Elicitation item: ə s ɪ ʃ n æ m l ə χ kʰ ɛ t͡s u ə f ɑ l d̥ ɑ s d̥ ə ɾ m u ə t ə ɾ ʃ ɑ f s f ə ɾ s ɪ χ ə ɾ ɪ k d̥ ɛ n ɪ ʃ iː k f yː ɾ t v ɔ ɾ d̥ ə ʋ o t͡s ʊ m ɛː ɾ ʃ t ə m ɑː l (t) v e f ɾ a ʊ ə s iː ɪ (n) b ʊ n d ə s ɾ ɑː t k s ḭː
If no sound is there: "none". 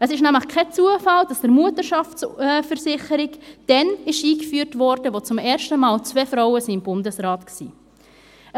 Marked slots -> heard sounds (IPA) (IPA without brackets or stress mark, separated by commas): t͡s, m